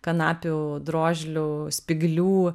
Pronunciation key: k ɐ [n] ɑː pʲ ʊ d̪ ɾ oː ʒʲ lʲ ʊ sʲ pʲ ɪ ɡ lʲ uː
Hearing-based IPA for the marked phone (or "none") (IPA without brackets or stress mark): n